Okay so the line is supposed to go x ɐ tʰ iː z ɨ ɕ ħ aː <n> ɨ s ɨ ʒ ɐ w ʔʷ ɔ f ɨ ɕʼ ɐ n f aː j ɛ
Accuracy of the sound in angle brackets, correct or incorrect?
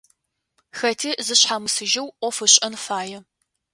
incorrect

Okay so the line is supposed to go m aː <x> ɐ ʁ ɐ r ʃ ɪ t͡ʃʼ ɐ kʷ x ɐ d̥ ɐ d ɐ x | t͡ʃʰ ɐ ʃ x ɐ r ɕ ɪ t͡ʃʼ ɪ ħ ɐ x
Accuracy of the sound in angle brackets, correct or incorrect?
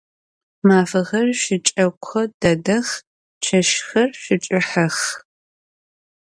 incorrect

